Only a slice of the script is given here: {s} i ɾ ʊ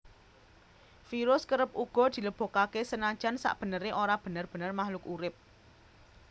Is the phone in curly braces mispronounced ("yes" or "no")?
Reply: yes